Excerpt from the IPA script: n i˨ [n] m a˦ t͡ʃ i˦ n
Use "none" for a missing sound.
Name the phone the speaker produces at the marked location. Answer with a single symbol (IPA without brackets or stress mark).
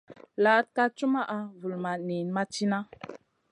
n